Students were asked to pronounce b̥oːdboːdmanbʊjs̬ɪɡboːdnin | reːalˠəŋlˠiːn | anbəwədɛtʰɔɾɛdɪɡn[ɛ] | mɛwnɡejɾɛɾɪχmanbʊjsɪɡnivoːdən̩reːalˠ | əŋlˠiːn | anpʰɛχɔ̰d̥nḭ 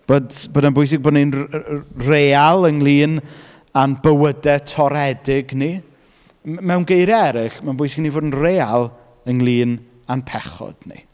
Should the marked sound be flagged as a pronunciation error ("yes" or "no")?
yes